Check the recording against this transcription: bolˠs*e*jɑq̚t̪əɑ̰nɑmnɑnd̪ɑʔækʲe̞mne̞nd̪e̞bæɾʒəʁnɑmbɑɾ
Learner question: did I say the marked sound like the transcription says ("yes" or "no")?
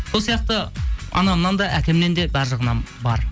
no